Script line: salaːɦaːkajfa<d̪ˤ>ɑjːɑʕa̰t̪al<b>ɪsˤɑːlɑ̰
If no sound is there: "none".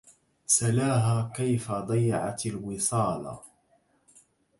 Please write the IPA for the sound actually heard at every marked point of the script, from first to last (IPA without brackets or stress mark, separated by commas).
d̪ˤ, w